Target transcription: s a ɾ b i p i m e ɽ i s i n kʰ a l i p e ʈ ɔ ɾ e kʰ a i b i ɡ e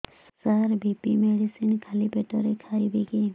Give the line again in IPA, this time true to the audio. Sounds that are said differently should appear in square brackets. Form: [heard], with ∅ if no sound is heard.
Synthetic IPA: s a ɾ b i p i m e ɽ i s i n kʰ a l i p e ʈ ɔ ɾ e kʰ a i b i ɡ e